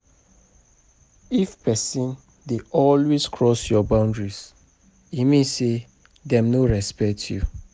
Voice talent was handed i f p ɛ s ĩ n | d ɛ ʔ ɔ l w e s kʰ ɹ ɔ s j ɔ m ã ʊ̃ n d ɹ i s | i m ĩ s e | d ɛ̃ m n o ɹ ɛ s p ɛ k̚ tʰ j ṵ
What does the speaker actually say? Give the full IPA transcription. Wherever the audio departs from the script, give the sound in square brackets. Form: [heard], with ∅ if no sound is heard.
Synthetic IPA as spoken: i f p ɛ s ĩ n | d [e] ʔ ɔ l w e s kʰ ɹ ɔ s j ɔ [b] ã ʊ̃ n d ɹ i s | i m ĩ s e | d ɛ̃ m n o ɹ ɛ s p ɛ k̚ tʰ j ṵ